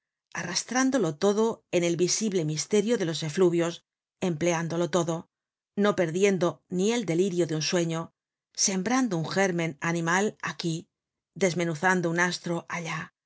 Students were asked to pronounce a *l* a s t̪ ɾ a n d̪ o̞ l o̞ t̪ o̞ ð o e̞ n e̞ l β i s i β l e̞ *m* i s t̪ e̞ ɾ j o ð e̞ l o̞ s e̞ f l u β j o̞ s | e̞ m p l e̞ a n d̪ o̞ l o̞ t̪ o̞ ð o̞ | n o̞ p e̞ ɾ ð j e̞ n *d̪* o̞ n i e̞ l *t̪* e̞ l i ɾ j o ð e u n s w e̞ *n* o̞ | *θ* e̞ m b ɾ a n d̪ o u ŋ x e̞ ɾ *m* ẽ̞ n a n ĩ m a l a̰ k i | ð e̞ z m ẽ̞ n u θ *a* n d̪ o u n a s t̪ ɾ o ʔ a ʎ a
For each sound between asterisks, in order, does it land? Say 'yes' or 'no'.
no, yes, yes, no, no, no, yes, yes

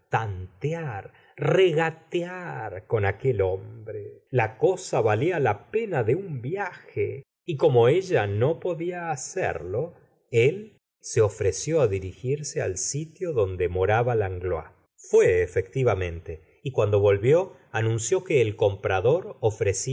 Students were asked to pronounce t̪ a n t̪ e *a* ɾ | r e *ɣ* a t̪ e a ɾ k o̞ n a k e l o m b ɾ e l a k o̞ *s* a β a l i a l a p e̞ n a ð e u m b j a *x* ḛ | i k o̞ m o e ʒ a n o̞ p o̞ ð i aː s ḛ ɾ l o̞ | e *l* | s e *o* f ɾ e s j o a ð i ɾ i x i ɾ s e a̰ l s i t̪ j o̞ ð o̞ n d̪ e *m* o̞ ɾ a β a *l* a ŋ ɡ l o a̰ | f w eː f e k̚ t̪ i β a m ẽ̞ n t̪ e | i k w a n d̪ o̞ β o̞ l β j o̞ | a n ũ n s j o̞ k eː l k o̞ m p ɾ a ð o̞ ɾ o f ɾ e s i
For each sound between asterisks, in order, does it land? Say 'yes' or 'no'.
yes, yes, yes, yes, yes, yes, yes, yes

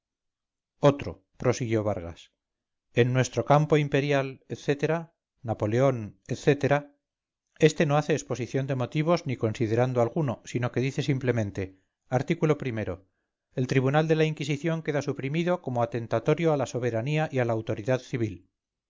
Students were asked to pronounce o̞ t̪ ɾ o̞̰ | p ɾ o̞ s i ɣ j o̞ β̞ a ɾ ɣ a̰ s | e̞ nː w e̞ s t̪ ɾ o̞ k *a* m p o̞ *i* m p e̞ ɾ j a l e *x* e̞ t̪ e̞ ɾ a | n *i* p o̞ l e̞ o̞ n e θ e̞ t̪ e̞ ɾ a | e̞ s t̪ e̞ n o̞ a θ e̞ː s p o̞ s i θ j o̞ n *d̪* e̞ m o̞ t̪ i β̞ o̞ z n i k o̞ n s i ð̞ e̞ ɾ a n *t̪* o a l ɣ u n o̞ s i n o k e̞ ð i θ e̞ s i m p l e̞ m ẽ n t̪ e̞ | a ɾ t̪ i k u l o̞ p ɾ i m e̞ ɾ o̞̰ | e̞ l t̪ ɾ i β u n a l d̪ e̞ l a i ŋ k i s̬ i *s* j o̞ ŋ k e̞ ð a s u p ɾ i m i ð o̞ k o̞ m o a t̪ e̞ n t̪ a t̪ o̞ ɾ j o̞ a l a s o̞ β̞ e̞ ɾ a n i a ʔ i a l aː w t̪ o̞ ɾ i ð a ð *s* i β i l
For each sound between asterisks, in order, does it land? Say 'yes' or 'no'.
yes, yes, no, no, yes, no, no, no

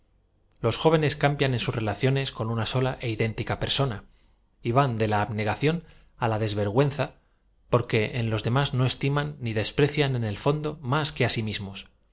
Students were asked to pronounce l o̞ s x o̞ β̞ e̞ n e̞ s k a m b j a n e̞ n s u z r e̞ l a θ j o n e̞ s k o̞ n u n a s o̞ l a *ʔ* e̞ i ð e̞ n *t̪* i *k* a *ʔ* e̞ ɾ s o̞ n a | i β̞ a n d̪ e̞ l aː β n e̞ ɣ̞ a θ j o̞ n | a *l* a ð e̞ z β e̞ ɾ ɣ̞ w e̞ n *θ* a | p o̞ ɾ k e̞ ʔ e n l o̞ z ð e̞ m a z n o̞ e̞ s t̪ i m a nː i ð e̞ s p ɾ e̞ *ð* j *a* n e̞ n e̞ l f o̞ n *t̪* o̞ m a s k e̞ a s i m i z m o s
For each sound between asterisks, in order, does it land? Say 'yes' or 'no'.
yes, yes, yes, no, yes, yes, no, yes, no

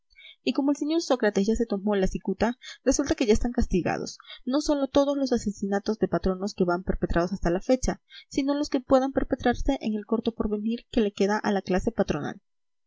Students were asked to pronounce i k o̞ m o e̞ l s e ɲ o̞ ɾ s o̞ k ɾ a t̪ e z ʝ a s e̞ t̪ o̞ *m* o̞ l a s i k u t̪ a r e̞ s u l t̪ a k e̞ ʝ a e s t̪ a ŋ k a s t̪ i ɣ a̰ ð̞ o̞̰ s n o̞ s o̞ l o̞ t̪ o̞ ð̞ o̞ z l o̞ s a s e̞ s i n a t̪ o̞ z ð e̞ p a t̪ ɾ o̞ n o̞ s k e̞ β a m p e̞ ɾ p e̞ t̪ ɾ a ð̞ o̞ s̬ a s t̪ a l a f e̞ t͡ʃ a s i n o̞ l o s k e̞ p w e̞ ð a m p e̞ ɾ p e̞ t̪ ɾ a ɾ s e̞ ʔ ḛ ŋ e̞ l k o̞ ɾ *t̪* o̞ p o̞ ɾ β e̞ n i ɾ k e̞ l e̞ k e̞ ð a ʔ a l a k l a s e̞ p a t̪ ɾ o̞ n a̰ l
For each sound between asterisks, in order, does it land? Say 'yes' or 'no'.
yes, yes

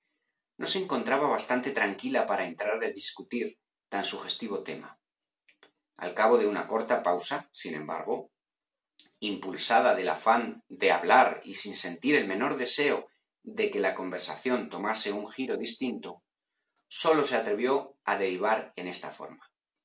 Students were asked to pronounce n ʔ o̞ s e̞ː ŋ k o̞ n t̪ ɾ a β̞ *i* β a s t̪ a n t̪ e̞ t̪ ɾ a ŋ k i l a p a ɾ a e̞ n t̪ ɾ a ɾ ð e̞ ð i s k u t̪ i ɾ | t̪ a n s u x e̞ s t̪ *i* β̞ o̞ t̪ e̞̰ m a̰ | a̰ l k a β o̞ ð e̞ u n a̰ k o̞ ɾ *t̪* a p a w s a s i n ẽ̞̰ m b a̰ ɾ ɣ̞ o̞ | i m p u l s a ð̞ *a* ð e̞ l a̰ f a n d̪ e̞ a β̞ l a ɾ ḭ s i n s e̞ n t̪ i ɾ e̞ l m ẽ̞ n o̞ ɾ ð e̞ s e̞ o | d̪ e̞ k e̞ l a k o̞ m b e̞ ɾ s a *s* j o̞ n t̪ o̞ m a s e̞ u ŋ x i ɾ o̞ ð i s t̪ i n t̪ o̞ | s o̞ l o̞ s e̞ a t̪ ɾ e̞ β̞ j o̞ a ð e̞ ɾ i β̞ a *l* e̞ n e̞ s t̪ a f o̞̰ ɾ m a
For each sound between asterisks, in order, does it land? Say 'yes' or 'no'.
no, yes, yes, yes, no, no

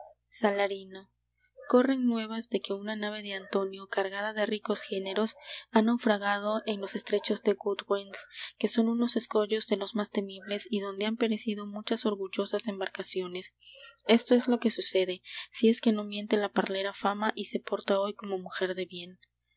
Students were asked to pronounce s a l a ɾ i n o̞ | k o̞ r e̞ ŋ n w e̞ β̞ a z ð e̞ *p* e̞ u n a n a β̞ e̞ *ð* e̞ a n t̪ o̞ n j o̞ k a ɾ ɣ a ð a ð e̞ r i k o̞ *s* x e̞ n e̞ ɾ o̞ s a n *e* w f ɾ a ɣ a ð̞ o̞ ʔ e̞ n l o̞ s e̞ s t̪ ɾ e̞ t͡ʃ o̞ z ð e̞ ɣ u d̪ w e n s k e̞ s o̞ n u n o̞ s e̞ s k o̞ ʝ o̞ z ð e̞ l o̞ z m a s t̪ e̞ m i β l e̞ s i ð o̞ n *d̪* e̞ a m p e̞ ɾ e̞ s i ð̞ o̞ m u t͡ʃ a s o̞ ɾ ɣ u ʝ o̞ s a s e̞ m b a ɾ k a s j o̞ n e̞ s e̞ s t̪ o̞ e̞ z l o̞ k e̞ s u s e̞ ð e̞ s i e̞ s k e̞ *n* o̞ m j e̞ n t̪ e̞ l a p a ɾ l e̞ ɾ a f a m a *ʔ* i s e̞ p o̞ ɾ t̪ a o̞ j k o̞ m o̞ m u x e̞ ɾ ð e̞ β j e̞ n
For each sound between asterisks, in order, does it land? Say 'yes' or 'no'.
no, yes, yes, no, yes, yes, yes

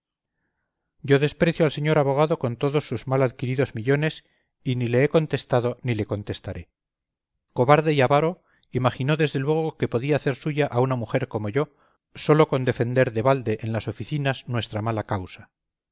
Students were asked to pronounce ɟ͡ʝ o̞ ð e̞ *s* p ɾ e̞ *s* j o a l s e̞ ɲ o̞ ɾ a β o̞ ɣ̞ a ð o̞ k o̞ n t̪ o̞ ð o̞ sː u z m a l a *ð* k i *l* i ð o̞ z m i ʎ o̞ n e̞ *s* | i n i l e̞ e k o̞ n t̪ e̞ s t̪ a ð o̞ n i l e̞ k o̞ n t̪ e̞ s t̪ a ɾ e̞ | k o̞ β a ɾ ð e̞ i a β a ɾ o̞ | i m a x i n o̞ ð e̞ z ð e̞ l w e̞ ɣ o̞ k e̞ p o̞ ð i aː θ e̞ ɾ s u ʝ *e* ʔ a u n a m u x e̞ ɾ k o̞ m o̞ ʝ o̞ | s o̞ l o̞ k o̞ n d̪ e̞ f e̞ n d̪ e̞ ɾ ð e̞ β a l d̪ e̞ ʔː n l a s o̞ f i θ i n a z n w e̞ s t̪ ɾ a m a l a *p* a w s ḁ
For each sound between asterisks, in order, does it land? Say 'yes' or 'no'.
yes, no, yes, no, yes, no, no

